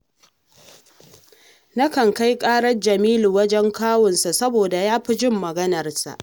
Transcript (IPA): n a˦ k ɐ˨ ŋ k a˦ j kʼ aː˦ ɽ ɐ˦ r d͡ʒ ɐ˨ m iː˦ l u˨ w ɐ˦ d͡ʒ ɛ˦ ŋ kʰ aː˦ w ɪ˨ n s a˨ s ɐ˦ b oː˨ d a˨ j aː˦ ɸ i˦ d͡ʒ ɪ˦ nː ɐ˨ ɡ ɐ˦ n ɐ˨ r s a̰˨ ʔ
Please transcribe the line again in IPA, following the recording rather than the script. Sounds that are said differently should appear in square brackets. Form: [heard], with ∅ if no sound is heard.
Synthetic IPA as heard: n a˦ k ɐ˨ ŋ k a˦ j kʼ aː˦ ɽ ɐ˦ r d͡ʒ ɐ˨ m iː˦ l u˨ w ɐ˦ d͡ʒ ɛ˦ ŋ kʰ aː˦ w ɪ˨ n s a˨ s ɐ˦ b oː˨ d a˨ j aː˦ ɸ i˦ d͡ʒ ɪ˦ [mː] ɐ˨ ɡ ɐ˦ n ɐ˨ r s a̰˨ ʔ